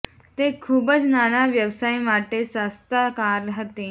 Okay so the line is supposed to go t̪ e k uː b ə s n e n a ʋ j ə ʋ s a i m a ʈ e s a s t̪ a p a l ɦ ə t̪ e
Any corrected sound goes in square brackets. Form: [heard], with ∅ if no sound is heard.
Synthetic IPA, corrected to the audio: t̪ e [kʰ] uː b ə [t͡s] n [a] n a ʋ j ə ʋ s a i m a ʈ e s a s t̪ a [k] a [ɾ] ɦ ə t̪ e